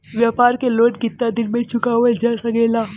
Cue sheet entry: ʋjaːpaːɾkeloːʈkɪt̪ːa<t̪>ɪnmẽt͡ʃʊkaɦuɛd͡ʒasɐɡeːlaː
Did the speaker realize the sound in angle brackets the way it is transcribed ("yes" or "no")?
no